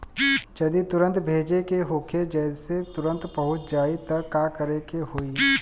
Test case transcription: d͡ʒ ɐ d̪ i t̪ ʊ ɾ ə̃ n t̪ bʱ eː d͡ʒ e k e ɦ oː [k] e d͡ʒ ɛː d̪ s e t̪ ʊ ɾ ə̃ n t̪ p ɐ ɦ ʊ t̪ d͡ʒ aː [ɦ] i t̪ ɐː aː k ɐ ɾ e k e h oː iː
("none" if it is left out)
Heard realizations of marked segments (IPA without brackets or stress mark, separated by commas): kʰ, none